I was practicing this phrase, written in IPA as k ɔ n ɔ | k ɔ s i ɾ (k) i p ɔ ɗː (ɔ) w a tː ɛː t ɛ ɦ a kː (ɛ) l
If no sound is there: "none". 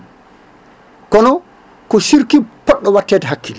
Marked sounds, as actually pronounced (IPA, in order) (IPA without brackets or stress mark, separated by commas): k, ɔ, i